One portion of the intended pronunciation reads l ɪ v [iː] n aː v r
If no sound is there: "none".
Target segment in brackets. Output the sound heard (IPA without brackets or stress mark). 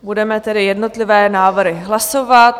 ɛː